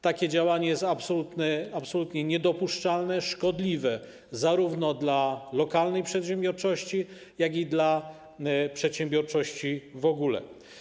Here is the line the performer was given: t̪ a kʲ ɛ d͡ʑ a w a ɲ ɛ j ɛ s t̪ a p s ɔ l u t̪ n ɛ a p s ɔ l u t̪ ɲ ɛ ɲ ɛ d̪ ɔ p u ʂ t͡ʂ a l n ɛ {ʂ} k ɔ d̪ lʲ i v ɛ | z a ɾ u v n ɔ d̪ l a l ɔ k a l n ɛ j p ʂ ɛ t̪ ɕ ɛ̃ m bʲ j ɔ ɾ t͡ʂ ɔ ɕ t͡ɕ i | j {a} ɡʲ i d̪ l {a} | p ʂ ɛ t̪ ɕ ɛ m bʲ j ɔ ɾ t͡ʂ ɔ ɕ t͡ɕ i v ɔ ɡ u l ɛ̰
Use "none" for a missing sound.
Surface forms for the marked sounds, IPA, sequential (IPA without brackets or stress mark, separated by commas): ʂ, a, a